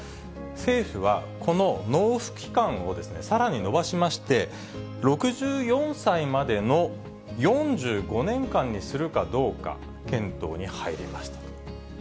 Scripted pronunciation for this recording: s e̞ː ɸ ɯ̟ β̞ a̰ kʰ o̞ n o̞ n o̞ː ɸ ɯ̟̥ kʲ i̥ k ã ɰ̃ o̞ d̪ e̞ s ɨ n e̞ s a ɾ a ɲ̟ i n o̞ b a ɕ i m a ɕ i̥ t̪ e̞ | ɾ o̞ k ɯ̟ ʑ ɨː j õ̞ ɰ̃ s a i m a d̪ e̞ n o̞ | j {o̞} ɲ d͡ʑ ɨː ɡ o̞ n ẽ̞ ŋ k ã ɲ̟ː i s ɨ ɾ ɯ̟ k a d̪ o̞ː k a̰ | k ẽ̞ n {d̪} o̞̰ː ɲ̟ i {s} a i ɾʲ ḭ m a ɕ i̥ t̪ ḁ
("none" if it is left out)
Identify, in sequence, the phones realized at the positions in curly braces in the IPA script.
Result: õ̞, t̪, h

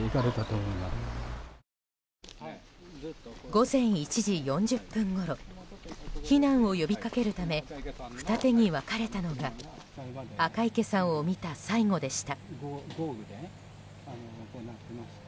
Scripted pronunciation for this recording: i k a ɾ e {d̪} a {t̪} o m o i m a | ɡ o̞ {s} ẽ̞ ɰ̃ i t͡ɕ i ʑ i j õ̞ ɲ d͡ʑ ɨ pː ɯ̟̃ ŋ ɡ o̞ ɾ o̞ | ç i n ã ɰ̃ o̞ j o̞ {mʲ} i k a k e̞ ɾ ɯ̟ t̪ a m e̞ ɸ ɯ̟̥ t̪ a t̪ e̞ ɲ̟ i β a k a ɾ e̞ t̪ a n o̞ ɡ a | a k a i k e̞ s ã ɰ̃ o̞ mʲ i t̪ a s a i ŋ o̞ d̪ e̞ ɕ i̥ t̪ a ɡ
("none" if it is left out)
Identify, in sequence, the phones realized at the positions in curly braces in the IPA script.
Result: t̪, t̪, z, bʲ

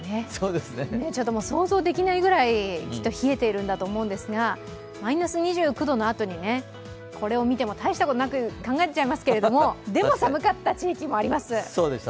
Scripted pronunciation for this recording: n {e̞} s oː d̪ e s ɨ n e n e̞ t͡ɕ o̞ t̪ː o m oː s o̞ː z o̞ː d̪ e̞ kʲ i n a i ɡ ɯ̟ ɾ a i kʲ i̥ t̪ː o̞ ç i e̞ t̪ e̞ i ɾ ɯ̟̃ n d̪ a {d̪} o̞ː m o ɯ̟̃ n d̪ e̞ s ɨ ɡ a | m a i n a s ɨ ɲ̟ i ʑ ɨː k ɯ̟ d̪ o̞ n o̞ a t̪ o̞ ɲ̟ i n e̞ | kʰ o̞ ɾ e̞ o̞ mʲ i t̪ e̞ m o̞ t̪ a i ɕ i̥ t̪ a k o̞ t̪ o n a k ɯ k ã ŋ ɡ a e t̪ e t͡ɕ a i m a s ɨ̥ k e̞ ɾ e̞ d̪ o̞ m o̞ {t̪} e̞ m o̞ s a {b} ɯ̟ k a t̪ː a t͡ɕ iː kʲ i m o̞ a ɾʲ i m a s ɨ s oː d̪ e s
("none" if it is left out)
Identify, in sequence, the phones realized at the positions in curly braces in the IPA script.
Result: e̞, t̪, d̪, m

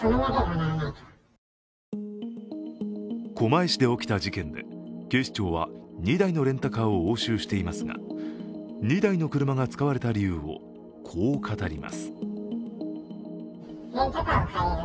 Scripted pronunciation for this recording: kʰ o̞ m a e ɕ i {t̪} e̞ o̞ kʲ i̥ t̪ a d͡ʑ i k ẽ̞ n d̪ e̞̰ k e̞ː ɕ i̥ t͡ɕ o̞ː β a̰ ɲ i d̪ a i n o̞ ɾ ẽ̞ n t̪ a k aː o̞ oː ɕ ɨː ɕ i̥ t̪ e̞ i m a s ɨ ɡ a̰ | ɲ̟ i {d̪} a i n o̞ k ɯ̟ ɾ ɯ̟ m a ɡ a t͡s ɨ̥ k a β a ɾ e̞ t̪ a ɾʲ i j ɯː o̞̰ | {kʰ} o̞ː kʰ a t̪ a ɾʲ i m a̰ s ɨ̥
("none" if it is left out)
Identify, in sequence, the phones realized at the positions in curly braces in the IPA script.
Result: d̪, d̪, kʰ

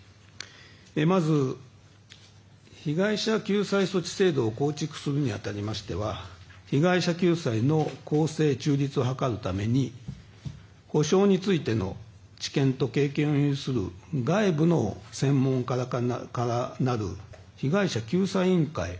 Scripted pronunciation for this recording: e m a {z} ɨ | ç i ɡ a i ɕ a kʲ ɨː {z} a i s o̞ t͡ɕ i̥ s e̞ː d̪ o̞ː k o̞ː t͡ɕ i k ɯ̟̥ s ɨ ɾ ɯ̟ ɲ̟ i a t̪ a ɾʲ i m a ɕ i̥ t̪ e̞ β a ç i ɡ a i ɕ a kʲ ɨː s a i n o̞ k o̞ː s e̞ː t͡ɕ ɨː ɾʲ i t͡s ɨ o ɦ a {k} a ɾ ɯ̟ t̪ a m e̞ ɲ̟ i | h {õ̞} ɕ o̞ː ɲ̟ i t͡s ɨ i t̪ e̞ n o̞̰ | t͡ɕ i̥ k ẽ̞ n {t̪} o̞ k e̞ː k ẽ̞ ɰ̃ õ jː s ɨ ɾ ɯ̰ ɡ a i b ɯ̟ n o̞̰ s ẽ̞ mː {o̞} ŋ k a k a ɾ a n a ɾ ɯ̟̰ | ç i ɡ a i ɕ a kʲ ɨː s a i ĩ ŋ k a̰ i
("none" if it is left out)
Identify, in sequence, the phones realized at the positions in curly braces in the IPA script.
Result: z, s, k, o̞, t̪, õ̞

